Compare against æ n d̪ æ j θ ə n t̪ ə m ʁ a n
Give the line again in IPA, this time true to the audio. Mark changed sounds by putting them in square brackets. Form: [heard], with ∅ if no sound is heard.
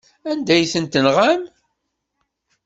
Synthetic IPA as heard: æ n d̪ æ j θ ə n t̪ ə [n] ʁ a [m]